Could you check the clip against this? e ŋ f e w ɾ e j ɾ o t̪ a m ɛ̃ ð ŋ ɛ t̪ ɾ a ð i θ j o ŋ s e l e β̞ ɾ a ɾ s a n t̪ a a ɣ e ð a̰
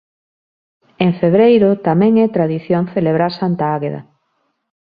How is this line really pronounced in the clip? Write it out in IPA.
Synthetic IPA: e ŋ f e β ɾ e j ɾ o t̪ a m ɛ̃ ŋ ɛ t̪ ɾ a ð i θ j o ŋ θ e l e β̞ ɾ a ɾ s a n t̪ a a ɣ e ð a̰